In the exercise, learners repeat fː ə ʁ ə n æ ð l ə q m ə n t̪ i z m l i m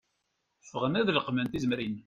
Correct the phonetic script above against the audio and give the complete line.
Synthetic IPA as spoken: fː ə ʁ ə n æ ð l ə q m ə n t̪ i z m ɾ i n